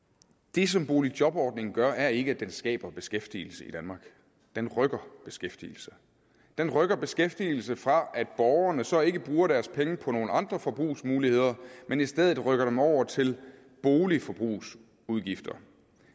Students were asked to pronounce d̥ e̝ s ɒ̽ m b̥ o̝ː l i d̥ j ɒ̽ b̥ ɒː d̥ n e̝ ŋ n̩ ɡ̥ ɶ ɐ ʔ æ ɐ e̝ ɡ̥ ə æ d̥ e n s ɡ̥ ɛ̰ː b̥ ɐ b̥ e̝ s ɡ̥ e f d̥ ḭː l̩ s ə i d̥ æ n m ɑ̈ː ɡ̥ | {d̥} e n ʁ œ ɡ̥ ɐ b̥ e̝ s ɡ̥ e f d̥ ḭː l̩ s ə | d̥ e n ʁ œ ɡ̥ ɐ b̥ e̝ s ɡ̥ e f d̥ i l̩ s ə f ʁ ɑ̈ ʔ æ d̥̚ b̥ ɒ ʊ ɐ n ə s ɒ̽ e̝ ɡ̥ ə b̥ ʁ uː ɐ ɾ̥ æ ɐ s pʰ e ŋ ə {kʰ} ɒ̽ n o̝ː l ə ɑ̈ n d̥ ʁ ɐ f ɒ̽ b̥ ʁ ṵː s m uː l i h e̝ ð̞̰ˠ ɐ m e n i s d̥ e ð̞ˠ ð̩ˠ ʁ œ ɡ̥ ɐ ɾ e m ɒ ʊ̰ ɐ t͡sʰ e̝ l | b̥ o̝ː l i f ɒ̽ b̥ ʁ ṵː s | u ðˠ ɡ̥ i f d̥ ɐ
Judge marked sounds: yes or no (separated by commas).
yes, no